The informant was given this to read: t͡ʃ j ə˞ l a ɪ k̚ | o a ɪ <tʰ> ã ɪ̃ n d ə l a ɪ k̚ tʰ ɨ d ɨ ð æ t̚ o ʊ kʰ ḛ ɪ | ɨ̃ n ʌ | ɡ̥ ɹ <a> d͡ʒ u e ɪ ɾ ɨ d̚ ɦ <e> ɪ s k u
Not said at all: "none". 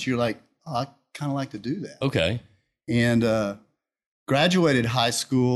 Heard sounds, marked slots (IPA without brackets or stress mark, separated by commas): kʰ, æ, a